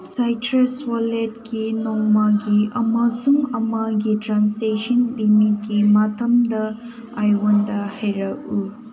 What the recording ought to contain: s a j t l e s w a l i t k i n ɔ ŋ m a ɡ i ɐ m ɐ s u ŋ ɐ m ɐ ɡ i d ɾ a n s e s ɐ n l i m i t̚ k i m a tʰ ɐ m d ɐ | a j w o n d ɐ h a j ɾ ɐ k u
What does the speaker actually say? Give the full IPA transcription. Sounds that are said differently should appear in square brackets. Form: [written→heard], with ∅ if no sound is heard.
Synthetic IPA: s a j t [l→ɾ] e s w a l [i→e] t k i n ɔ ŋ m a ɡ i ɐ m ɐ s u ŋ ɐ m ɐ ɡ i [d→t] ɾ a n s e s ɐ n l i m i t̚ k i m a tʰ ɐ m d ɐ | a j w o n d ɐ h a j ɾ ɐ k u